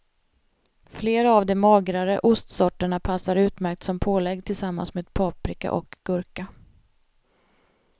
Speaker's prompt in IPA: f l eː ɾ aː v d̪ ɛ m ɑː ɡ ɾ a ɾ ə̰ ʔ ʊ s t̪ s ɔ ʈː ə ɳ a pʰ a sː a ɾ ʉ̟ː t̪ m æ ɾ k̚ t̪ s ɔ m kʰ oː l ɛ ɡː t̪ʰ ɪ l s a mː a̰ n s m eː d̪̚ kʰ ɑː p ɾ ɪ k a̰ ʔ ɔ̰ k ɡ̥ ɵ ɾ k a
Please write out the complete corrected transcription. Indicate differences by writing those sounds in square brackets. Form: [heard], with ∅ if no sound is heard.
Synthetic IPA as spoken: f l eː ɾ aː v d̪ ɛ m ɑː ɡ ɾ a ɾ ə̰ ʔ ʊ s t̪ s ɔ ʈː ə ɳ a pʰ a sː a ɾ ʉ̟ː t̪ m æ ɾ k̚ t̪ s ɔ m [pʰ] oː l ɛ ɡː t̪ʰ ɪ l s a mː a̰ n s m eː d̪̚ [pʰ] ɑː p ɾ ɪ k a̰ ʔ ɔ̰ k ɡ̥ ɵ ɾ k a